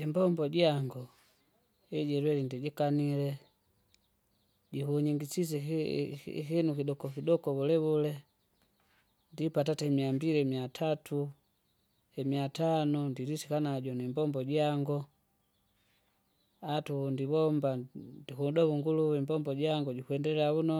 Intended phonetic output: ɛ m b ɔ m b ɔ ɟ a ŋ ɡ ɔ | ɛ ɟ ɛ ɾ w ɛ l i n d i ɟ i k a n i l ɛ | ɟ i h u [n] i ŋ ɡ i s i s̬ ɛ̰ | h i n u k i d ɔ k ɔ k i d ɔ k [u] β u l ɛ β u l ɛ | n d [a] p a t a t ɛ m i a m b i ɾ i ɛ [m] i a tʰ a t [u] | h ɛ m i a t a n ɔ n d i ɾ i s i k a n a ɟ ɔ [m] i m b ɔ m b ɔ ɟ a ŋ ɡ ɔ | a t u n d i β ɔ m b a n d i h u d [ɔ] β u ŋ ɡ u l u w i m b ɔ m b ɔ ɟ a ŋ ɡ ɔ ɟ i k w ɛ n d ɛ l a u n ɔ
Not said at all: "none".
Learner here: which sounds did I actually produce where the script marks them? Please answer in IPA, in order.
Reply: ɲ, ɔ, i, m, u, n, ɔ

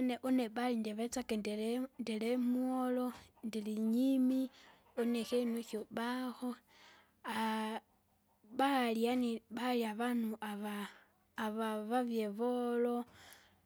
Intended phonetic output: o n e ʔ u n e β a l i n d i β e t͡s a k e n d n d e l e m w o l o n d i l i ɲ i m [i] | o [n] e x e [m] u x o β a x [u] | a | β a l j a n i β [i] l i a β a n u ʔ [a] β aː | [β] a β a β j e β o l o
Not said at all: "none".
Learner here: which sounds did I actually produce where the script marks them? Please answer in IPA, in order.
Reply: i, n, n, o, a, a, β

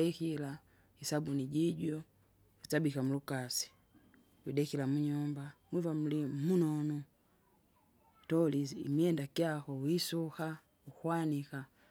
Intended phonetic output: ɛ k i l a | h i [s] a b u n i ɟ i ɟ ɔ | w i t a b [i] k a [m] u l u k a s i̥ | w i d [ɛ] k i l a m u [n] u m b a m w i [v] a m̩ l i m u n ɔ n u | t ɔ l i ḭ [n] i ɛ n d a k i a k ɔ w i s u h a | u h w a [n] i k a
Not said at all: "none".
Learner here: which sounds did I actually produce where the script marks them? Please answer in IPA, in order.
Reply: s, i, m, ɛ, ɲ, v, m, n

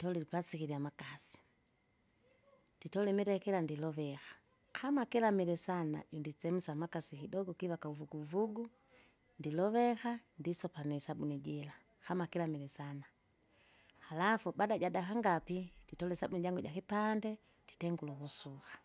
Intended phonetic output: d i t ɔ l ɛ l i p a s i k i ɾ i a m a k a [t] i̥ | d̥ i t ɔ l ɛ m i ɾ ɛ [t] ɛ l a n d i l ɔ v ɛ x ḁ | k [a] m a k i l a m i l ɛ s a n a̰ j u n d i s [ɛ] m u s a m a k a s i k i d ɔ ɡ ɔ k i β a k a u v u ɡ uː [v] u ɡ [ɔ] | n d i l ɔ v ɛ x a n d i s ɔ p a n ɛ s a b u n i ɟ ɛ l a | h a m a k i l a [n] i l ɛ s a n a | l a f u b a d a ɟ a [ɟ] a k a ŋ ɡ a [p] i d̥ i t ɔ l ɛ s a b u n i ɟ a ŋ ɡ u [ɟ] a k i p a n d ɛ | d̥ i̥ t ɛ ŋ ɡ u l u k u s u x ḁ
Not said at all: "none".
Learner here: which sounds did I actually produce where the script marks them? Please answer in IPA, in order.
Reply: s, k, a, ɛ, v, u, m, d, p, ɟ

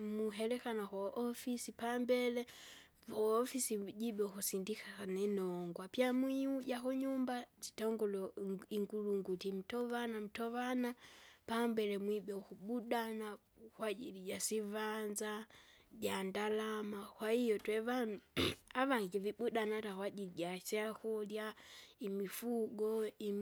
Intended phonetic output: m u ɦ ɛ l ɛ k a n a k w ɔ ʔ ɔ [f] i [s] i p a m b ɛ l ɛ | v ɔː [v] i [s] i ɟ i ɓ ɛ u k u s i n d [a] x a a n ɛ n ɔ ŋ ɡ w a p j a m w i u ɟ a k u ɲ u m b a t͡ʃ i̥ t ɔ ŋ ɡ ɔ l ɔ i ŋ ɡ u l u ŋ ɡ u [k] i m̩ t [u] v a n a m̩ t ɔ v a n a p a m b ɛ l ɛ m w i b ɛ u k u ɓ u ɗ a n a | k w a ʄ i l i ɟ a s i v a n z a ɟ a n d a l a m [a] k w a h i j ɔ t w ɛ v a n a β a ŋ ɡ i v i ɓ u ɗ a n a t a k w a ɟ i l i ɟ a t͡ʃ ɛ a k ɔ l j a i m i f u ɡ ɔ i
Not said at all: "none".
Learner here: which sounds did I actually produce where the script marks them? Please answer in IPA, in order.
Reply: f, s, f, s, i, t, ɔ, a

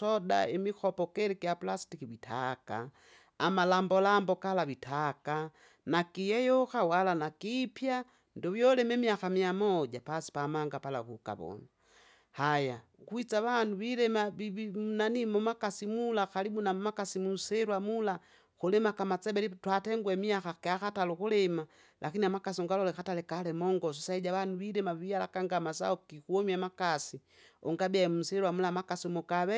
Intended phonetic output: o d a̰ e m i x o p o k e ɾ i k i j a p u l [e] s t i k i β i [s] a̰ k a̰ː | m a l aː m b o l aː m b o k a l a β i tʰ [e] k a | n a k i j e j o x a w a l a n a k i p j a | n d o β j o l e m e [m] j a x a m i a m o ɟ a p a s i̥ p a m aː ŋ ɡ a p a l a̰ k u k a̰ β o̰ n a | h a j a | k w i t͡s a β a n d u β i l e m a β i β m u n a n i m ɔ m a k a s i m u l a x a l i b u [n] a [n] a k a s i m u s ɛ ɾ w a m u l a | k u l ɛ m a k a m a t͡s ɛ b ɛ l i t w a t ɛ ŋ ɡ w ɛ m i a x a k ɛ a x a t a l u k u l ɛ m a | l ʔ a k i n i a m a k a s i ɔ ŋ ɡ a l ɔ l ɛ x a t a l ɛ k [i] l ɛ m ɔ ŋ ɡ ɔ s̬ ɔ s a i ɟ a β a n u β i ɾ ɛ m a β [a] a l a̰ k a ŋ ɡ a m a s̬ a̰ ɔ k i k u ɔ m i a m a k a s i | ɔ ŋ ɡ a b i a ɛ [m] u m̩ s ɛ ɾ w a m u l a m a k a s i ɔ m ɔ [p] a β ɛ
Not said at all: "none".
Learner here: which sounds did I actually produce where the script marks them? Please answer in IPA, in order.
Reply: a, t, a, m, n, m, a, i, m, k

